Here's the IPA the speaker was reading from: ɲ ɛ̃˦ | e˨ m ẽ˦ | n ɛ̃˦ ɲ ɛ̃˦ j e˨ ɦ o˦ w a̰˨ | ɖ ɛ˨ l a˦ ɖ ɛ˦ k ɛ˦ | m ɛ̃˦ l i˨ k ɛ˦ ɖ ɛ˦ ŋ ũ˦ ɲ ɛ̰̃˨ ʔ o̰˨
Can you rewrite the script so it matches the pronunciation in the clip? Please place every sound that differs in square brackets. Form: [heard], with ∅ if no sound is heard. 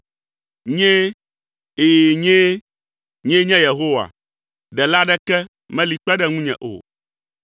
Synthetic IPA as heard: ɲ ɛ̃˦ | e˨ [ɲ] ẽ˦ | [ɲ] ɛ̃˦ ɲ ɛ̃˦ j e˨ ɦ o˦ w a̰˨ | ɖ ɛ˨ l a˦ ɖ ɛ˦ k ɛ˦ | m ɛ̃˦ l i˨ [k͡p] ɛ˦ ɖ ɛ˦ ŋ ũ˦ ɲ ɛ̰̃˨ ʔ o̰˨

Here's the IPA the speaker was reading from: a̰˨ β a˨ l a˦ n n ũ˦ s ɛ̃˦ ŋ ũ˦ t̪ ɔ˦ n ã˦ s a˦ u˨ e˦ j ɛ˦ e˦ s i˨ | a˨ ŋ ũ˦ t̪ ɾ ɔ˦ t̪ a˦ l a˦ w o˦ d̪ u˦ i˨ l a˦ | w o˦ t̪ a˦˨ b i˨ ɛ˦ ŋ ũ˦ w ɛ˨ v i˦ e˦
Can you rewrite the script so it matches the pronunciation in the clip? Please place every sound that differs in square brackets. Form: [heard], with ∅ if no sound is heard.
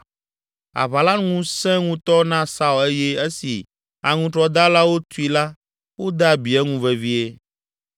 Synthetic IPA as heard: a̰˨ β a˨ l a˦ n [ŋ] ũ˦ s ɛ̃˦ ŋ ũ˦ t̪ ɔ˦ n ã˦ s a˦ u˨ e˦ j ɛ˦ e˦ s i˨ | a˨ ŋ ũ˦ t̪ ɾ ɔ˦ [d̪] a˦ l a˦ w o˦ [t̪] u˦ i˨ l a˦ | w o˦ [d̪] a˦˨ b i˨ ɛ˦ ŋ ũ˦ [v] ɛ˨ v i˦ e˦

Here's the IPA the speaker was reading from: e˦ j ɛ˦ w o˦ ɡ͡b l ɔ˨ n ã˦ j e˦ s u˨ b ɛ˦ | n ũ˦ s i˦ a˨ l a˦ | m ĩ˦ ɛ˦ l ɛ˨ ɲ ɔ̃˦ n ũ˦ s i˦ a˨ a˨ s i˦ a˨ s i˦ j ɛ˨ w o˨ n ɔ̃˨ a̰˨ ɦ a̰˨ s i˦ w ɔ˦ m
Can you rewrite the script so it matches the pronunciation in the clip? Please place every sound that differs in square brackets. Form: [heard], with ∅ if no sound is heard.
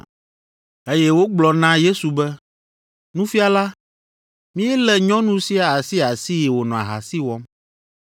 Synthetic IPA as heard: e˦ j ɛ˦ w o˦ ɡ͡b l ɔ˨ n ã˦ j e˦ s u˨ b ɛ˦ | n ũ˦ [f] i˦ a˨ l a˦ | m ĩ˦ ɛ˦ l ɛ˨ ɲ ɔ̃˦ n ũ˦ s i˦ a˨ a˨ s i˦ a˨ s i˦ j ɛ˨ w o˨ n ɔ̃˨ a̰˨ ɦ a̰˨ s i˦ w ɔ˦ m

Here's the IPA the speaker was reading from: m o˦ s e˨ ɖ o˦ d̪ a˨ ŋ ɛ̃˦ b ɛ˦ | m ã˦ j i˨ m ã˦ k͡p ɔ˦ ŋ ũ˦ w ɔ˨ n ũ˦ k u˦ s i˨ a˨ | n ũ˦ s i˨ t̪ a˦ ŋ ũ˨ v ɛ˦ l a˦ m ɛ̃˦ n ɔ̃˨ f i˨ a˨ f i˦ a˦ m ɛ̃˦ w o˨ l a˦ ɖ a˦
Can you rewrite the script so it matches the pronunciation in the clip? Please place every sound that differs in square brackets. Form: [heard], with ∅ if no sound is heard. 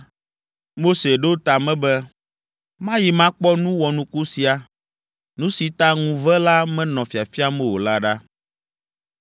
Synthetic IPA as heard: m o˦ s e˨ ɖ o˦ [t̪] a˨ [m] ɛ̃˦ b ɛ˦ | m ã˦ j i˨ m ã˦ k͡p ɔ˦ [n] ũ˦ w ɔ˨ n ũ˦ k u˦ s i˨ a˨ | n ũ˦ s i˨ t̪ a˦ ŋ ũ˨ v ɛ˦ l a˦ m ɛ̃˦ n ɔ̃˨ f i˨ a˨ f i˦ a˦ m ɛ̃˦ w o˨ l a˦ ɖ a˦

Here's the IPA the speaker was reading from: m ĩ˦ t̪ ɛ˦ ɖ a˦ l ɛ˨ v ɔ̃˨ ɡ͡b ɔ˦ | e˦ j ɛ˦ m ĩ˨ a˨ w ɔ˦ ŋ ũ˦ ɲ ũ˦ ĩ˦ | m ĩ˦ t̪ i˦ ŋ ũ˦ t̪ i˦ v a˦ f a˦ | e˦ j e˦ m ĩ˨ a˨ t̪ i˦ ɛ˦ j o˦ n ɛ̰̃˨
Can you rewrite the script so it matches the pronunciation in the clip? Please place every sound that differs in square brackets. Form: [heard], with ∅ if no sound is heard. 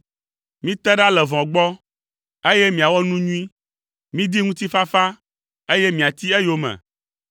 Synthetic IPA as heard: m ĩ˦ t̪ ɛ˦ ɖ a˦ l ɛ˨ v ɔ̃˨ ɡ͡b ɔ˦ | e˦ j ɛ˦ m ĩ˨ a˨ w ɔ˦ [n] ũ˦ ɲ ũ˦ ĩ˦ | m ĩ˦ [d̪] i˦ ŋ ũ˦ t̪ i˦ [f] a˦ f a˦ | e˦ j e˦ m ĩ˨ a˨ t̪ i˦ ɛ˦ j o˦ [m] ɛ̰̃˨

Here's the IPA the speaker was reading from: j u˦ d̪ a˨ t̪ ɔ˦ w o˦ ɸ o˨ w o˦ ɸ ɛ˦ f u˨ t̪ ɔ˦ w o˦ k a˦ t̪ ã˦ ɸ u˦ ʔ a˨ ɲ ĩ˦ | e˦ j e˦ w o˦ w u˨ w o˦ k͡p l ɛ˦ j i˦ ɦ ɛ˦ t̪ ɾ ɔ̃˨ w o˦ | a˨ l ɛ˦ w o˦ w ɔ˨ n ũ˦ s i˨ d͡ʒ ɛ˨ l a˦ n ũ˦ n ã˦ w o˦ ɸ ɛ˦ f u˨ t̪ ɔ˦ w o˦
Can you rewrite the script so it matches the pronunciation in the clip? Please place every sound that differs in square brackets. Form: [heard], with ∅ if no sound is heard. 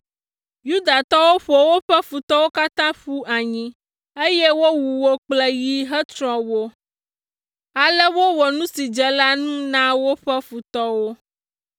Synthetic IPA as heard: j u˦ d̪ a˨ t̪ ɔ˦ w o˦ ɸ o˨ w o˦ ɸ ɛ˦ f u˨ t̪ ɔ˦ w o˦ k a˦ t̪ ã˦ ɸ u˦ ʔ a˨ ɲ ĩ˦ | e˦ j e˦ w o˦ w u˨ w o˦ k͡p l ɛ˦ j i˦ ɦ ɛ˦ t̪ ɾ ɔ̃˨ w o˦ | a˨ l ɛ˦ w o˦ w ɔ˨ n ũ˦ s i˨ d͡ʒ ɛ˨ l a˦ n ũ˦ n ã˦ w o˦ ɸ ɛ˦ f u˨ t̪ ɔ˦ w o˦

